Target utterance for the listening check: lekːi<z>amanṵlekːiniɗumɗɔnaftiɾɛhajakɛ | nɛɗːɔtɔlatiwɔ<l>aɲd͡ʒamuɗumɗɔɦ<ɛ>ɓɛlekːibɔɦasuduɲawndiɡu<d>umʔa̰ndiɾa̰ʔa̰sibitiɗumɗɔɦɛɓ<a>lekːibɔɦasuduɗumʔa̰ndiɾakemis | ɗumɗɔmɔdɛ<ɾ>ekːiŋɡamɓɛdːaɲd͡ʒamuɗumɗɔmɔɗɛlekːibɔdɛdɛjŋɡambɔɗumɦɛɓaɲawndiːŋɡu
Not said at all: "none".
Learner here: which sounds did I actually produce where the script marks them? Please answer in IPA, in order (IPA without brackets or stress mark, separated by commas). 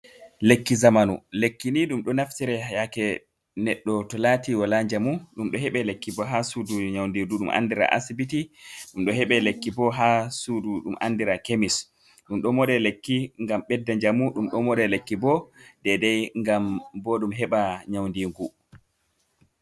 z, l, ɛ, ɗ, ɛ, l